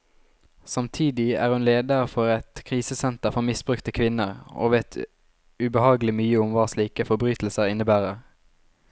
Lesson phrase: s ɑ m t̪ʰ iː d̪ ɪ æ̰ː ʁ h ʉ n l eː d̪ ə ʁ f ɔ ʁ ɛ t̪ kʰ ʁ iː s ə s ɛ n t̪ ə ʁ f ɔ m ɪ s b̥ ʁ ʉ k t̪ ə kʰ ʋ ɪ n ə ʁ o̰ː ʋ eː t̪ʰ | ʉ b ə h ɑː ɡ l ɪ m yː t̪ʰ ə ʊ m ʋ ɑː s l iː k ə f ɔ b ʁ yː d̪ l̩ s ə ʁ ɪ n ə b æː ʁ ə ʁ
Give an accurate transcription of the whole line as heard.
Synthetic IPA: s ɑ m t̪ʰ iː d̪ ɪ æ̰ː ʁ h ʉ n l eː d̪ ə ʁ f ɔ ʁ ɛ t̪ kʰ ʁ iː s ə s ɛ n t̪ ə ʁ f ɔ m ɪ s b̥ ʁ ʉ k t̪ ə kʰ ʋ ɪ n ə ʁ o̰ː ʋ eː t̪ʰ | ʉ b ə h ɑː ɡ l ɪ m yː ə ʊ m ʋ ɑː s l iː k ə f ɔ b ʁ yː t̪ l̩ s ə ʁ ɪ n ə b æː ʁ ə ʁ